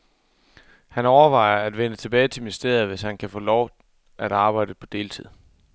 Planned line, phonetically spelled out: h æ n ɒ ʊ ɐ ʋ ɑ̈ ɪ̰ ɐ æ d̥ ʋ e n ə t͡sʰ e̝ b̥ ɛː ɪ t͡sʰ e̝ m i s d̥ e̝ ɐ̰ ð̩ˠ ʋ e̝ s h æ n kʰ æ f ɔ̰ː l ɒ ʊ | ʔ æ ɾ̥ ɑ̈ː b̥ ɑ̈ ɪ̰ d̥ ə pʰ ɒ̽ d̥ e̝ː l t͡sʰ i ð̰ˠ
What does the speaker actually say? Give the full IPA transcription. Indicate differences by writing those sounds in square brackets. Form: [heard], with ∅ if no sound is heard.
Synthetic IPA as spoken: h æ n ɒ ʊ ɐ ʋ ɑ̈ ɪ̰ ɐ æ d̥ ʋ e n ə t͡sʰ e̝ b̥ ɛː ɪ t͡sʰ e̝ m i s d̥ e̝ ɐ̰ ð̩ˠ ʋ e̝ s h æ n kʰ æ f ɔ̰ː l ɒ ʊ | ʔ æ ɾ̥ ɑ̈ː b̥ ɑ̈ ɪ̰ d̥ ə pʰ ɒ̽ d̥ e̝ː l t͡sʰ i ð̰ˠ